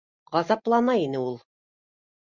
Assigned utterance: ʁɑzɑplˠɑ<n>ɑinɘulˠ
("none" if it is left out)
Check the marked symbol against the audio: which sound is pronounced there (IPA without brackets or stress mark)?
n